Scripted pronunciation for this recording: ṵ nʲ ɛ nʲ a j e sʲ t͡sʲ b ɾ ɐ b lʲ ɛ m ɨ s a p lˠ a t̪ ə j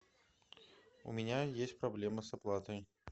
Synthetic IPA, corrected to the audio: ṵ mʲ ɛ nʲ a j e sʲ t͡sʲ p ɾ a b lʲ ɛ m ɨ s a p lˠ a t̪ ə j